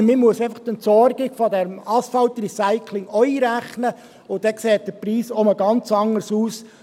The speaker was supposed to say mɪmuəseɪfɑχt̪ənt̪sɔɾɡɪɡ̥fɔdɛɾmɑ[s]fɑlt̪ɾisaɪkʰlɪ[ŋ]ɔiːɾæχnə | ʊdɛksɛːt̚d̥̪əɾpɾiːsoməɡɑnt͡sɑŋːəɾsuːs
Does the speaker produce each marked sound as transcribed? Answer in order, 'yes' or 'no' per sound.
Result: yes, yes

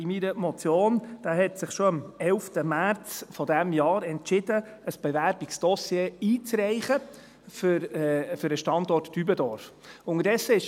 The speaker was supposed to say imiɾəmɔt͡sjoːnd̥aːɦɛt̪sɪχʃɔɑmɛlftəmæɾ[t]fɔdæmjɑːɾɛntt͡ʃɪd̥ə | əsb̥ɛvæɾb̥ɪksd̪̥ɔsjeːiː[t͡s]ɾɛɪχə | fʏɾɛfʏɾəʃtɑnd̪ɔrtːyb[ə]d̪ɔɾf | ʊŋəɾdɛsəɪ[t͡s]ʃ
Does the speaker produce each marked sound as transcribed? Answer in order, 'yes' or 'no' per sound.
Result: no, yes, yes, no

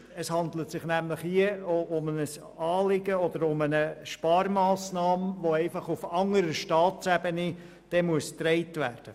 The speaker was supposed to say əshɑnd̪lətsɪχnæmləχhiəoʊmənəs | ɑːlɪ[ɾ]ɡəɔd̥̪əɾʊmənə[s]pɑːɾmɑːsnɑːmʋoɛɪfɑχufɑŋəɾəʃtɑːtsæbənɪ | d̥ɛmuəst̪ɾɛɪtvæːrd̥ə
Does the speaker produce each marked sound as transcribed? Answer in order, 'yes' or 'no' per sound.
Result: no, no

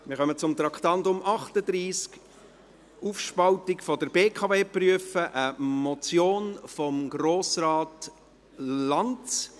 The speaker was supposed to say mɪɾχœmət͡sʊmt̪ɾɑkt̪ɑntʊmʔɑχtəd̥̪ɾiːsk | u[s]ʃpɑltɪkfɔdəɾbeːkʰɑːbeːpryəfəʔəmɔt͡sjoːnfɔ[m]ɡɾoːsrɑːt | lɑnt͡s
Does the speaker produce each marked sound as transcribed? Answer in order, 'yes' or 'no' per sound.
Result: no, yes

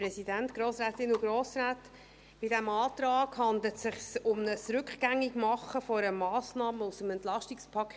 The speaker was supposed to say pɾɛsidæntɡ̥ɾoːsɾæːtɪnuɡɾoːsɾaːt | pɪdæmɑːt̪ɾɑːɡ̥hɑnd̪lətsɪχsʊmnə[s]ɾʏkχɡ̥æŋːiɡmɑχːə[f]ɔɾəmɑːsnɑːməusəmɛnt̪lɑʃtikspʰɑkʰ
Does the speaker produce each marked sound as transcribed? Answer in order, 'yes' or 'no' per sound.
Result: yes, yes

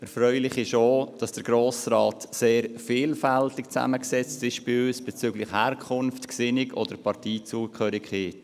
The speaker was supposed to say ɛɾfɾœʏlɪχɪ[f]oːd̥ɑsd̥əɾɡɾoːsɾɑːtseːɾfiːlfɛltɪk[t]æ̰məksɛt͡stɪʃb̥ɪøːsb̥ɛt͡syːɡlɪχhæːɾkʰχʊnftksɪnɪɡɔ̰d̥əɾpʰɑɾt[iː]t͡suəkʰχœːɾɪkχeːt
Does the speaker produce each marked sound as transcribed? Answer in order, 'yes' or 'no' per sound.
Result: no, no, yes

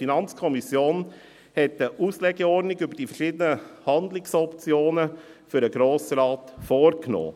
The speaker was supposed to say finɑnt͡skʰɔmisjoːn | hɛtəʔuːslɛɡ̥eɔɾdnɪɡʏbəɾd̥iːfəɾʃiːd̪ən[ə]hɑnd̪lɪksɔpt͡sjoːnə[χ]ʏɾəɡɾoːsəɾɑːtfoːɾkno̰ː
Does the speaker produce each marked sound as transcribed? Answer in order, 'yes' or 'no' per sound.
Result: yes, no

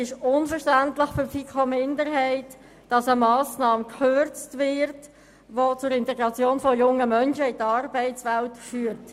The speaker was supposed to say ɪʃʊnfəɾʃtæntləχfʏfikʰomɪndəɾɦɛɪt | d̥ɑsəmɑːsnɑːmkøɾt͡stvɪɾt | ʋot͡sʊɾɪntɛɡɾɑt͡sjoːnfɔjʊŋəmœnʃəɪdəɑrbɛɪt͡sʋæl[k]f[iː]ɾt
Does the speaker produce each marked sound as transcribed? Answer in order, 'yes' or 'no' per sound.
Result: no, no

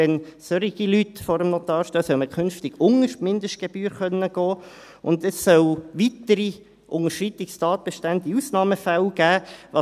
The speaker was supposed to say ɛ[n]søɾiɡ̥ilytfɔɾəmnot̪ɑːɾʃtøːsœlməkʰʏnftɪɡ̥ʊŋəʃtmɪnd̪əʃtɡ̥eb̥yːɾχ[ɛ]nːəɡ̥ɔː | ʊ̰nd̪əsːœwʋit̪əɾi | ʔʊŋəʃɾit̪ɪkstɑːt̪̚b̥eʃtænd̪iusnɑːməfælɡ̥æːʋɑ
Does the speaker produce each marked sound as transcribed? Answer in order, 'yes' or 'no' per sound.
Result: yes, no

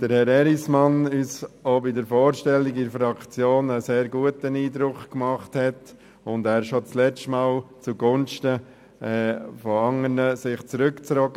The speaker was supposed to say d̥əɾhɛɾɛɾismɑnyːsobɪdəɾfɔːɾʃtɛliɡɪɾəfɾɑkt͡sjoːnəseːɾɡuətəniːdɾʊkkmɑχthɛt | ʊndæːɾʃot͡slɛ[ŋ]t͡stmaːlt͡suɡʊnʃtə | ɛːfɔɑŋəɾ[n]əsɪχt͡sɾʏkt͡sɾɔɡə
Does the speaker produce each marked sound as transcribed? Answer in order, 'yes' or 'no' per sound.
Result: no, yes

